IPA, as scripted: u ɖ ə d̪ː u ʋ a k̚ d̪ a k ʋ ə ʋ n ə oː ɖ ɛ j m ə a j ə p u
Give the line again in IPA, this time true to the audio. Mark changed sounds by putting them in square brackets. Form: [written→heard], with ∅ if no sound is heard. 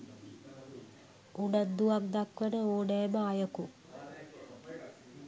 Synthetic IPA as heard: u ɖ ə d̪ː u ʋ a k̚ d̪ a k ʋ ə [ʋ→∅] n ə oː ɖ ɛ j m ə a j ə [p→k] u